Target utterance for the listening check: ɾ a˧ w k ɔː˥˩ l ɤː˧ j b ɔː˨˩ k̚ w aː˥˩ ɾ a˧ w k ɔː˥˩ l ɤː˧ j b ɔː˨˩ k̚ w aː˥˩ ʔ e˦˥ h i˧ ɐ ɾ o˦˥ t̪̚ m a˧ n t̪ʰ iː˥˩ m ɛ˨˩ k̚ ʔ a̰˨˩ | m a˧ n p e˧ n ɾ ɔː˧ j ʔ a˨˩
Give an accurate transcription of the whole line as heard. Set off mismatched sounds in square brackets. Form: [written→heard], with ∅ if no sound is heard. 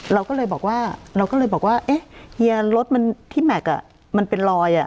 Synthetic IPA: ɾ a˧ w k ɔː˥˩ l ɤː˧ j b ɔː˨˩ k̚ w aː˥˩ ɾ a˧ w k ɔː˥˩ l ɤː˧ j b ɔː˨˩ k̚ w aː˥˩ ʔ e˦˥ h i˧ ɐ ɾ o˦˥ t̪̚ m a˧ n t̪ʰ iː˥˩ m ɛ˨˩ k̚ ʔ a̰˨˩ | m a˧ n p e˧ n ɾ ɔː˧ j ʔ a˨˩